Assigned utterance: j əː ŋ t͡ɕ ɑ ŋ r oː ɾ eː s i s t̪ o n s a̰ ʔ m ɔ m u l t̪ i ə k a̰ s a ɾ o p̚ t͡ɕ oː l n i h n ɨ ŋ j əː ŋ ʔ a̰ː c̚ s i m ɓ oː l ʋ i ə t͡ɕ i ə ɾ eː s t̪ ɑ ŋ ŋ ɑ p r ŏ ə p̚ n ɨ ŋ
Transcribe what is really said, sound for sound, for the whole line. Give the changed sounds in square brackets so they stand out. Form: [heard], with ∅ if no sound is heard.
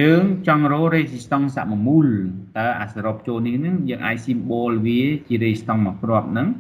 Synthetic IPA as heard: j əː ŋ t͡ɕ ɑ ŋ r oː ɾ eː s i s t̪ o [ŋ] s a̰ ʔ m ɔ m u l t̪ [a] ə [ʔ] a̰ s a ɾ o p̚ t͡ɕ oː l n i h n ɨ ŋ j əː ŋ ʔ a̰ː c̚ s i m ɓ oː l ʋ i ə t͡ɕ i ə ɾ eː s t̪ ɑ ŋ [m] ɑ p r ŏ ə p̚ n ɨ ŋ